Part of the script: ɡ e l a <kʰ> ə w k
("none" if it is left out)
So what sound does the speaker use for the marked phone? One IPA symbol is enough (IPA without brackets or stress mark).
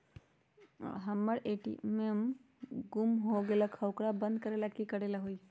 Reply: kʰ